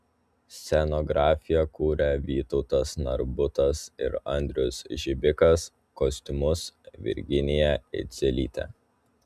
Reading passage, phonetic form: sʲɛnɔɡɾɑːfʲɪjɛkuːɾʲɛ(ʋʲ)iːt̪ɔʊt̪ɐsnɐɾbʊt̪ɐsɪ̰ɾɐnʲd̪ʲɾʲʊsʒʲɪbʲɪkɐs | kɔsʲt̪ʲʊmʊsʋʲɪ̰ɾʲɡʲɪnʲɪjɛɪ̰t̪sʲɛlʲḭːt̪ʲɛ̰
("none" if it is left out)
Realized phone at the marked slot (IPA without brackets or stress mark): ʋʲ